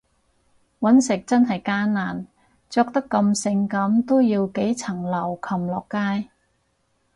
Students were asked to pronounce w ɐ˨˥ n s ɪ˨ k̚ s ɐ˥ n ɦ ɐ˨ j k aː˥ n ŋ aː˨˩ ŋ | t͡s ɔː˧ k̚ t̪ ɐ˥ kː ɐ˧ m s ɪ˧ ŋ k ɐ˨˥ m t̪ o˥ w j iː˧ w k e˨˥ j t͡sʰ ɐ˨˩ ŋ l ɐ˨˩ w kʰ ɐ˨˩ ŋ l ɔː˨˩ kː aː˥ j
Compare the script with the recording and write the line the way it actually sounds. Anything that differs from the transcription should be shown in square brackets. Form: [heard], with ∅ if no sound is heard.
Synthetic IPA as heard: w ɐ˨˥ n s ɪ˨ k̚ [t͡s] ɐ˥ n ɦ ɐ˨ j k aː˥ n [n] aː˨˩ [n] | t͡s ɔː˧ k̚ t̪ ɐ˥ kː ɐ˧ m s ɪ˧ ŋ k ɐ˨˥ m t̪ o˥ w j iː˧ w k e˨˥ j t͡sʰ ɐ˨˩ ŋ l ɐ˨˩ w kʰ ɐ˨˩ [m] l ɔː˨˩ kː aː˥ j